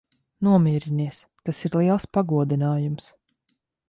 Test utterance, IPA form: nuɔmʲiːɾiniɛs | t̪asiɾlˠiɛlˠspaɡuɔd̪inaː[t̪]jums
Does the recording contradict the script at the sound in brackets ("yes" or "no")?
yes